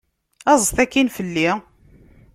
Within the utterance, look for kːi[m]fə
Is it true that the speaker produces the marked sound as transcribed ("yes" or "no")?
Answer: no